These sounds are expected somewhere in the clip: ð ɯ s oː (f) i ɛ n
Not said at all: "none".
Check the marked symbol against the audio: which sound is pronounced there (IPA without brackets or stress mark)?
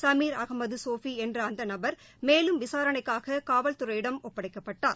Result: f